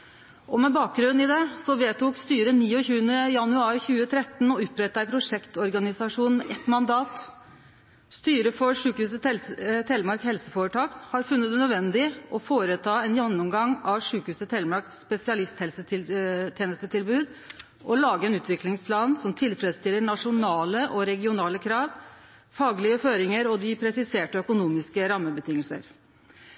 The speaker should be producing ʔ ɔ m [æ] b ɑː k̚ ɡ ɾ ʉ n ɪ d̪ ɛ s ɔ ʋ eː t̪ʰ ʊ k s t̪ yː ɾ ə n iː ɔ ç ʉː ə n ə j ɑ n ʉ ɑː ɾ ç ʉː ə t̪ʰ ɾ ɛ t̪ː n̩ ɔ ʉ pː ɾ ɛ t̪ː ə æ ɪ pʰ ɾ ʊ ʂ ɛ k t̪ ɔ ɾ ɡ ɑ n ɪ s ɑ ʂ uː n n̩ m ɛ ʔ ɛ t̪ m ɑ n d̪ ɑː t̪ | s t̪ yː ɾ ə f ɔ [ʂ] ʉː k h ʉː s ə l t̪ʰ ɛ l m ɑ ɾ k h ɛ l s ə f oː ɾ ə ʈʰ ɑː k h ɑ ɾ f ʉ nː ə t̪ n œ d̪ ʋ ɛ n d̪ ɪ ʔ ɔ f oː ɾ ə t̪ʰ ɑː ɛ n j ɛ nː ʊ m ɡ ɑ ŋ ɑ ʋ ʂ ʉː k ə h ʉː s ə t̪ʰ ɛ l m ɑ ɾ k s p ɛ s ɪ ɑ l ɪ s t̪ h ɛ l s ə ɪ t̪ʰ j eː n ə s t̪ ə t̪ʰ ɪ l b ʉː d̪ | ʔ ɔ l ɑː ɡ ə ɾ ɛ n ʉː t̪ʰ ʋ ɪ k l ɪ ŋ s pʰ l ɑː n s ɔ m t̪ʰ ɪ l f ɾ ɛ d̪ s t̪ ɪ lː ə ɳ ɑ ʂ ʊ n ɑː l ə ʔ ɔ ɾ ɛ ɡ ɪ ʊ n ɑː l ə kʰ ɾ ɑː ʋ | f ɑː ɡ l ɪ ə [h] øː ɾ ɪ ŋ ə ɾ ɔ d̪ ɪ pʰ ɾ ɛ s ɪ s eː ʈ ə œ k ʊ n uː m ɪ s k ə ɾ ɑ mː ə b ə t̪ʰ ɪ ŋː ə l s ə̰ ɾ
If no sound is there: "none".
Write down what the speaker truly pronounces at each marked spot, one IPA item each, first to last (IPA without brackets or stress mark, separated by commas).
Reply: ɛ, ʂ, f